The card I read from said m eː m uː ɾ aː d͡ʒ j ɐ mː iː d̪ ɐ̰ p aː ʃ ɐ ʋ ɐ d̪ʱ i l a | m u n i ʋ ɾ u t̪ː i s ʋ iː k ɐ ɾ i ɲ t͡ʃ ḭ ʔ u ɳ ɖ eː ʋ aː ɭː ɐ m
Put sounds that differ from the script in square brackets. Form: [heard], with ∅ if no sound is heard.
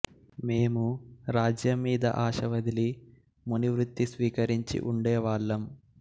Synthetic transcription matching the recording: m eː m [u] ɾ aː d͡ʒ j ɐ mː iː d̪ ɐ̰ [ʔ] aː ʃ ɐ ʋ ɐ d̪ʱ i l [i] | m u n i ʋ ɾ u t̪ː i s ʋ iː k ɐ ɾ i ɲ t͡ʃ ḭ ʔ u ɳ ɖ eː ʋ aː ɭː ɐ m